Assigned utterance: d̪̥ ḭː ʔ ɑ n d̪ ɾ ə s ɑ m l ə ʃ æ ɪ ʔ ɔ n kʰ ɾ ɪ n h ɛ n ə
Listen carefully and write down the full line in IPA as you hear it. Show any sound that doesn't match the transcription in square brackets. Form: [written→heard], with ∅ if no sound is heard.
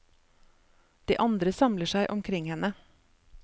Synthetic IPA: d̪̥ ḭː ʔ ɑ n d̪ ɾ ə s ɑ m l ə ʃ æ ɪ ʔ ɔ [n→m] kʰ ɾ ɪ [n→ŋ] h ɛ n ə